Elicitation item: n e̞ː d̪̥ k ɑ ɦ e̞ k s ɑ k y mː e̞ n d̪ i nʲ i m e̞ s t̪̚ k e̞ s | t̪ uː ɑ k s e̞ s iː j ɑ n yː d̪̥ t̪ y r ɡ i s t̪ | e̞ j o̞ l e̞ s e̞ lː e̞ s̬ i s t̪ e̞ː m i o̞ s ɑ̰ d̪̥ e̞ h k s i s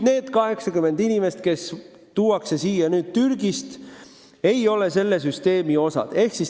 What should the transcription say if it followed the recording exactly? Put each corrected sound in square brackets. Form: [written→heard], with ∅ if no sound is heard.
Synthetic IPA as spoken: n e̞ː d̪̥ k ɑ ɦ e̞ k s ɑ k y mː e̞ n d̪ i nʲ i m e̞ s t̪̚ k e̞ s | t̪ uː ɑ k s e̞ s iː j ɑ n yː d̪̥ t̪ y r ɡ i s t̪ | e̞ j o̞ l e̞ s e̞ lː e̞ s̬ [i→y] s t̪ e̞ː m i o̞ s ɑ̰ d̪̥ e̞ h k s i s